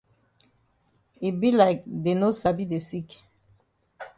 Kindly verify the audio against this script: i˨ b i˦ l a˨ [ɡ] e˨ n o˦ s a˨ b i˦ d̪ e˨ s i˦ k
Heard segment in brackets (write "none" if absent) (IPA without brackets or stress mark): d